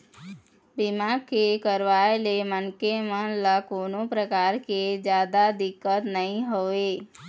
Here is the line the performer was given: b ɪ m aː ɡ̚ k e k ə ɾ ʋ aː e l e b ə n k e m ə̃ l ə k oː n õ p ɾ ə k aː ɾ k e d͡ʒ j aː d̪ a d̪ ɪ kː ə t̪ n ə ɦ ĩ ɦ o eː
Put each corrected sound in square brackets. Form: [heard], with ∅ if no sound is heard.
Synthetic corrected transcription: b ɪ m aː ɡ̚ k e k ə ɾ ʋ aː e l e [m] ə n k e m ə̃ l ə k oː n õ p ɾ ə k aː ɾ k e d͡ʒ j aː d̪ a d̪ ɪ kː ə t̪ n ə ɦ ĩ ɦ o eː